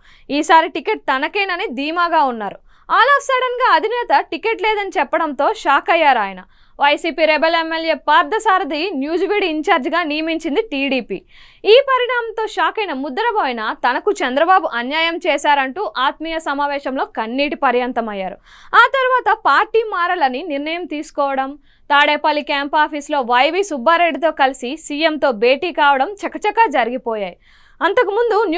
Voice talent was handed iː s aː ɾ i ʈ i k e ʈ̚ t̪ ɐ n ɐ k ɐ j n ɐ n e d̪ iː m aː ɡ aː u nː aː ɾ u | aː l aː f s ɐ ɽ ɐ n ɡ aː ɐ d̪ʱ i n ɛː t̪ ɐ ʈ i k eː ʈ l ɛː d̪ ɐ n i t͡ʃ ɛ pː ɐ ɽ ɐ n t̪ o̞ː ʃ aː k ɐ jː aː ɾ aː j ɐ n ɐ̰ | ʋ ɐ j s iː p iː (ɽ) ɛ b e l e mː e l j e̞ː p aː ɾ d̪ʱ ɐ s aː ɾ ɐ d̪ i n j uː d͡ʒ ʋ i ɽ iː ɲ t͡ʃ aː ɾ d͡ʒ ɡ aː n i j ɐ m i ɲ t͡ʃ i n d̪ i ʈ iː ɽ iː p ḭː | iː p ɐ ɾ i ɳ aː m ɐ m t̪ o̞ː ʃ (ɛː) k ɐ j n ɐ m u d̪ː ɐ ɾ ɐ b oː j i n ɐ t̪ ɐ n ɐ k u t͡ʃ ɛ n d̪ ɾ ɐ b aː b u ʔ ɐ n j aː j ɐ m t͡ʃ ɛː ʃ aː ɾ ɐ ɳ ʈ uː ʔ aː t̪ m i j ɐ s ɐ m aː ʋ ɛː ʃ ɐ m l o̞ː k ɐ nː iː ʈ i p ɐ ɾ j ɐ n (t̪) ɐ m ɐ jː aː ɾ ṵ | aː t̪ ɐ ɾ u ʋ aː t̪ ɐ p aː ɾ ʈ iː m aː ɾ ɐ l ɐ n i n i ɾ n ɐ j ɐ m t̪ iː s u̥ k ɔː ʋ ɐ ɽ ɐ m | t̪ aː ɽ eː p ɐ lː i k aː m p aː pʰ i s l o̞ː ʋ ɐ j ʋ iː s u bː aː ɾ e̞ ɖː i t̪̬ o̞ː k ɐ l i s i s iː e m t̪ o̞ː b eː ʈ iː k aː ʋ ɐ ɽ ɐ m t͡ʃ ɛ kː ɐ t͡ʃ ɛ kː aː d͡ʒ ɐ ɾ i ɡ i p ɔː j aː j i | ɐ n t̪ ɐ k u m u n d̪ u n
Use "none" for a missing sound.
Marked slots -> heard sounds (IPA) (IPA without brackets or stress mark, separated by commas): ɾ, aː, t̪